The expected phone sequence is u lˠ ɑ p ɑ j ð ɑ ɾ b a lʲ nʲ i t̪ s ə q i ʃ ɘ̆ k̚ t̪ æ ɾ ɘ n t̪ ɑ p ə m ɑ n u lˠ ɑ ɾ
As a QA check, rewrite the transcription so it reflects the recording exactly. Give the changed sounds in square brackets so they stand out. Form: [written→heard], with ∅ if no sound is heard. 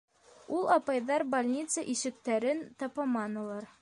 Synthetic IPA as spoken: u lˠ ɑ p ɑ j ð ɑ ɾ b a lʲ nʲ i t̪ s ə [q→ʔ] i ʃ ɘ̆ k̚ t̪ æ ɾ ɘ n t̪ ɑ p [ə→ɑ] m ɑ n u lˠ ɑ ɾ